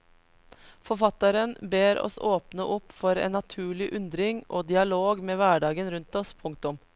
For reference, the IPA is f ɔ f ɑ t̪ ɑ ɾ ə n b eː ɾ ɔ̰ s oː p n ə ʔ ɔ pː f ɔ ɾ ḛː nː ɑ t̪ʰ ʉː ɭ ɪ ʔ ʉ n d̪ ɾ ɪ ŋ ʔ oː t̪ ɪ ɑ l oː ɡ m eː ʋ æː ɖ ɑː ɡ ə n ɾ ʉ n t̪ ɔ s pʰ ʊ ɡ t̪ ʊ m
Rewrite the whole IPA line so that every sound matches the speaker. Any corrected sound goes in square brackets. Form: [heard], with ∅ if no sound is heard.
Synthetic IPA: f ɔ f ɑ t̪ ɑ ɾ ə n b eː ɾ ɔ̰ s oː p n ə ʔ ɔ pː f ɔ ɾ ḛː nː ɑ t̪ʰ ʉː ɭ ɪ ʔ ʉ n d̪ ɾ ɪ ŋ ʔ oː [d̪] ɪ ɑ l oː ɡ m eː ʋ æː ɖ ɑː ɡ ə n ɾ ʉ n t̪ ɔ s pʰ ʊ [ŋ] t̪ ʊ m